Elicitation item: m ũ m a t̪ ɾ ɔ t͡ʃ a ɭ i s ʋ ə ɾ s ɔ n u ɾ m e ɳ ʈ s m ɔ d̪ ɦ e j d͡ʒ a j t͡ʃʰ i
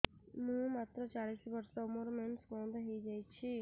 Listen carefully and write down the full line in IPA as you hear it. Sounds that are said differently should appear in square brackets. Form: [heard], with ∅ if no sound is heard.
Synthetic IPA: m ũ m a t̪ ɾ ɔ t͡ʃ a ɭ i s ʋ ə ɾ s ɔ [m] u ɾ m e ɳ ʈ s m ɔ d̪ ɦ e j d͡ʒ a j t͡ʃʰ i